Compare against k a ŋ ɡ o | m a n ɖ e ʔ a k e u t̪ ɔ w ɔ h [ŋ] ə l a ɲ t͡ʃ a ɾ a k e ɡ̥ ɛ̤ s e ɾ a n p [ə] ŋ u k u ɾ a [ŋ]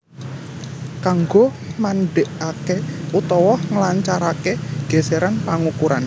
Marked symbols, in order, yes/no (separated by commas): yes, no, no